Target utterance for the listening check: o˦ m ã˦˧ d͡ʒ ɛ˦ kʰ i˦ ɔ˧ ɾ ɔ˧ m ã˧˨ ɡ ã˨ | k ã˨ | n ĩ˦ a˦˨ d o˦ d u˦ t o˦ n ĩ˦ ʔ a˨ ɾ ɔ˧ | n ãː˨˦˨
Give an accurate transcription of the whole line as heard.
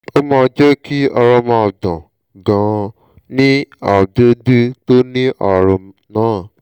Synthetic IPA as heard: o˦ m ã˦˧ d͡ʒ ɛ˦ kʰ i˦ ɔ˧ ɾ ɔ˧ m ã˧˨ d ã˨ | ɡ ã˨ | n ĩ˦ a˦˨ d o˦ d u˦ t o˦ n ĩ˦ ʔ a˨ ɾ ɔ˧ | n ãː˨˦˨